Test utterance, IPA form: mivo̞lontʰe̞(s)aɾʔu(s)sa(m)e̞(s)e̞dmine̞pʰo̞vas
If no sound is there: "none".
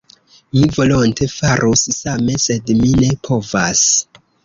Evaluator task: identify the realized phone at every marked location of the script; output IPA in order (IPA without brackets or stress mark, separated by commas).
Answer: f, s, m, s